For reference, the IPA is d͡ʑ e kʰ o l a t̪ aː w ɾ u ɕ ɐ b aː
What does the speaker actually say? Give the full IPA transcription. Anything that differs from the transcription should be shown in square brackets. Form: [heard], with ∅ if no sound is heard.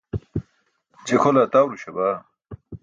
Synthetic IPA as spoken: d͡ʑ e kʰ o l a t̪ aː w ɾ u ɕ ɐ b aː